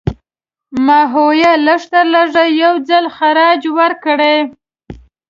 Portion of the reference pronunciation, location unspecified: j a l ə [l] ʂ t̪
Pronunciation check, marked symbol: incorrect: none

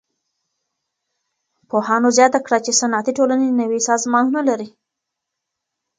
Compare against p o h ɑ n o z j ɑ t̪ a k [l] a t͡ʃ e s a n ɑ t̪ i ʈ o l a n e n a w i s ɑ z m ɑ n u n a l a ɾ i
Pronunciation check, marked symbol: incorrect: ɽ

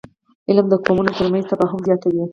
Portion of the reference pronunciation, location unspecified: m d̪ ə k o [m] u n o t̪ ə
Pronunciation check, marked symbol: correct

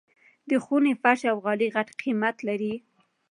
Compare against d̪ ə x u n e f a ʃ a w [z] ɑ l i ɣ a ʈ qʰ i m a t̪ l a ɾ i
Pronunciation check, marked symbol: incorrect: ɣ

